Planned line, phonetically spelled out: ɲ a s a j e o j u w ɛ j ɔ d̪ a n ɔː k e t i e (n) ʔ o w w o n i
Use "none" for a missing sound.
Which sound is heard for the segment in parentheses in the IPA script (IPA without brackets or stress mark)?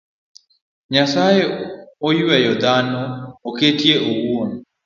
none